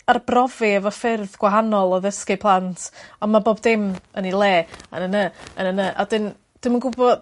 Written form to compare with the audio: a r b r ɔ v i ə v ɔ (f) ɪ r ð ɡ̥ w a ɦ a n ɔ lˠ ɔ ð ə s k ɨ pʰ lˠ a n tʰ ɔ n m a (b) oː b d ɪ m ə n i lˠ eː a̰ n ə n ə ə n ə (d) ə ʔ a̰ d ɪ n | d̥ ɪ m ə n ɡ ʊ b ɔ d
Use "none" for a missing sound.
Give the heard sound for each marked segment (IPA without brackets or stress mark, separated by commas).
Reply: f, b, n